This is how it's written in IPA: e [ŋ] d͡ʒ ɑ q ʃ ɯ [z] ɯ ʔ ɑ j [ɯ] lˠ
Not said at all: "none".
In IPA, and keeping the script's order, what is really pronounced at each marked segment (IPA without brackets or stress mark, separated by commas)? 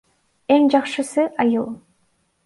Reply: ŋ, s, ɯ